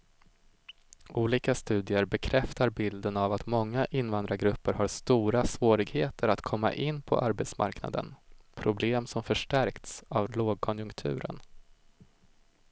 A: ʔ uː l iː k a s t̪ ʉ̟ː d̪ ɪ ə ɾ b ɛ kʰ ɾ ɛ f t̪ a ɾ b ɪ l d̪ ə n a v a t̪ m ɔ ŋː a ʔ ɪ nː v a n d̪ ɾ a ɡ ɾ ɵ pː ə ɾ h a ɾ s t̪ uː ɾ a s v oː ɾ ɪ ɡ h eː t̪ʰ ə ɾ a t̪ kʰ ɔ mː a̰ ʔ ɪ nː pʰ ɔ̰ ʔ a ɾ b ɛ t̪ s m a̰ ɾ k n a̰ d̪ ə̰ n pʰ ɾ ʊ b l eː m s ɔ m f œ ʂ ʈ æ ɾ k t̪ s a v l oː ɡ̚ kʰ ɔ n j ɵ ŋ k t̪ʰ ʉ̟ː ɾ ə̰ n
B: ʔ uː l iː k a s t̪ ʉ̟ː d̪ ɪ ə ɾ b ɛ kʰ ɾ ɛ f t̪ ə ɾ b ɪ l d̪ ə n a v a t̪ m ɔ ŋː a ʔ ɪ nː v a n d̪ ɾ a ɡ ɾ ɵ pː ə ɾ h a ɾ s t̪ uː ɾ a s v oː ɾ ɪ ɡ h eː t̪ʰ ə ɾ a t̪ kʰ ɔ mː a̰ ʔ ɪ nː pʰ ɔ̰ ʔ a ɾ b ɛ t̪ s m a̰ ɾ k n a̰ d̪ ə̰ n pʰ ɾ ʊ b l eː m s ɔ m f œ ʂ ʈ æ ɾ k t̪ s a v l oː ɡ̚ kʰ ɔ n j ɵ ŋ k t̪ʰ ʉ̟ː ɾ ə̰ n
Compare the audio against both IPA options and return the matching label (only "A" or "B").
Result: A